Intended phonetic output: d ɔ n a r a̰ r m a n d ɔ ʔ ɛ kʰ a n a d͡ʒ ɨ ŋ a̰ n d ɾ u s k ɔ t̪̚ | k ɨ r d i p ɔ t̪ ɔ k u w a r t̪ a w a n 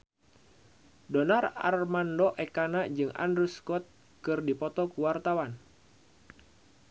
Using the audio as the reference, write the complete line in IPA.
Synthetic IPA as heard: d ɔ n a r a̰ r m a n d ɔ ʔ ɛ k a n a d͡ʒ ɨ ŋ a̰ n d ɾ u s k ɔ t̪̚ | k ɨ r d i p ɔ t̪ ɔ k u w a r t̪ a w a n